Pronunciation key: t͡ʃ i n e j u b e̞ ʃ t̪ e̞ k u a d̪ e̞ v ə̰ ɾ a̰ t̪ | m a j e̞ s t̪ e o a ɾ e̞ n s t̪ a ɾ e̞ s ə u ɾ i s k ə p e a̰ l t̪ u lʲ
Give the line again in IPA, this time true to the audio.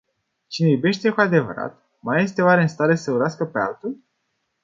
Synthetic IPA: t͡ʃ i n e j u b e̞ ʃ t̪ e̞ k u a d̪ e̞ v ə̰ ɾ a̰ t̪ | m a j e̞ s t̪ e o a ɾ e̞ n s t̪ a ɾ e̞ s ə u ɾ a s k ə p e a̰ l t̪ u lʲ